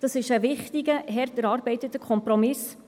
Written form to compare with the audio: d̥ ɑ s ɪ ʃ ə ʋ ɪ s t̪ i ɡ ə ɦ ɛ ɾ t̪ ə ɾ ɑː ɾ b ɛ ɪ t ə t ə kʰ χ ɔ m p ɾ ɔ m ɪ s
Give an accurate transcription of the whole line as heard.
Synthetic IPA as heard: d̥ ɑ s ɪ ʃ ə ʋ ɪ χ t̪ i ɡ ə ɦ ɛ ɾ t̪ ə ɾ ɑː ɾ b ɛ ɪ t ə t ə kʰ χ ɔ m p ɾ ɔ m ɪ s